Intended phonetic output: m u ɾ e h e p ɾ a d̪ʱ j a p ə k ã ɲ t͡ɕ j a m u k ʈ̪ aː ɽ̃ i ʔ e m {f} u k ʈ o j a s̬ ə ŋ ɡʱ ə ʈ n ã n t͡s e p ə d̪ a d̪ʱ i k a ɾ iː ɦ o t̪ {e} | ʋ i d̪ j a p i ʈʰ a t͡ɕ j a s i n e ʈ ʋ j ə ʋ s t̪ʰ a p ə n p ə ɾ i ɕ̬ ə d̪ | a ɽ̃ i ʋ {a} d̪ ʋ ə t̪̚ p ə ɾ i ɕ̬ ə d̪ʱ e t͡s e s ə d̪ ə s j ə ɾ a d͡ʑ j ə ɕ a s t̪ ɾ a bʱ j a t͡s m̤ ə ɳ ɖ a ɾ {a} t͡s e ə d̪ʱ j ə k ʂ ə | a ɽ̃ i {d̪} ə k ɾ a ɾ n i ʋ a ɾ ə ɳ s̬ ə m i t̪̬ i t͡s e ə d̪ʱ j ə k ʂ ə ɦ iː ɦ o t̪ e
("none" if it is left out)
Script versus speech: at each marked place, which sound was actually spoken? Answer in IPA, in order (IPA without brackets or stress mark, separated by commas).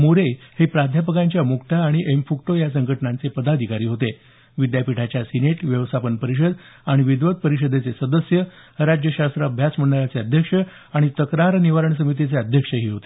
f, e, i, a, t̪